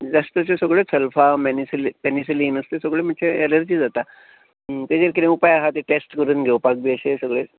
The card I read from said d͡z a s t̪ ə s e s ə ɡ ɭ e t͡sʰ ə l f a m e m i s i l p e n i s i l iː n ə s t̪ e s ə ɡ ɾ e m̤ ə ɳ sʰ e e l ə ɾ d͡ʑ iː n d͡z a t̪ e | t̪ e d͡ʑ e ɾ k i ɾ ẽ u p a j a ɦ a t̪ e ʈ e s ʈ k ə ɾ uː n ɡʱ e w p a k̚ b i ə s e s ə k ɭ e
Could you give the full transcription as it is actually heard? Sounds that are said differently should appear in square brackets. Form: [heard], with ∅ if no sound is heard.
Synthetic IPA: d͡z a s t̪ ə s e s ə ɡ ɭ e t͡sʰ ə l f a m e [n] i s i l p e n i s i l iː n ə s t̪ e s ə ɡ [ɭ] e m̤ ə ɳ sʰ e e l ə ɾ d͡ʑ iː [∅] d͡z a t̪ [a] | t̪ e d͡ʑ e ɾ k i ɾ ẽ u p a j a ɦ a t̪ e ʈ e s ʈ k ə ɾ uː n ɡʱ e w p a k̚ b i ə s e s ə [ɡ] ɭ e